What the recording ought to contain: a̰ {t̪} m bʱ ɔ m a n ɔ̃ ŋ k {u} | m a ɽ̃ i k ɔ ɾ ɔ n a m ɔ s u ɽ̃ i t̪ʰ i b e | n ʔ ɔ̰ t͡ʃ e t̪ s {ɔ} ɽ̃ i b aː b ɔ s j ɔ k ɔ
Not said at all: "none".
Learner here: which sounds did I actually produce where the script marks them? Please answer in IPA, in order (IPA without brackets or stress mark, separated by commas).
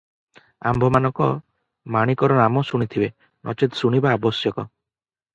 none, ɔ, u